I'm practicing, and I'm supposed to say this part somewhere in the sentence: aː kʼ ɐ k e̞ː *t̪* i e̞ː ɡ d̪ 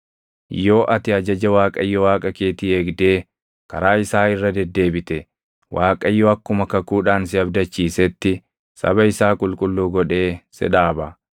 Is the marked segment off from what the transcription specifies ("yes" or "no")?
no